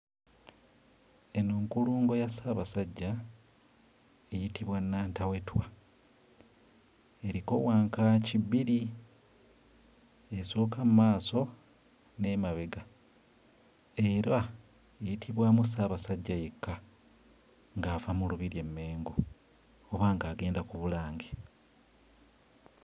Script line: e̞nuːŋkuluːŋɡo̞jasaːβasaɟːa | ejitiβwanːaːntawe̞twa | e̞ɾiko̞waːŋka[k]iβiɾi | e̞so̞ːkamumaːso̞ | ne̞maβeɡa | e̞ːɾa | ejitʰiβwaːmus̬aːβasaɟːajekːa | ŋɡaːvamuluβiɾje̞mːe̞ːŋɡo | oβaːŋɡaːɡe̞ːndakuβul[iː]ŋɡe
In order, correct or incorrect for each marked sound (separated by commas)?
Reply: incorrect, incorrect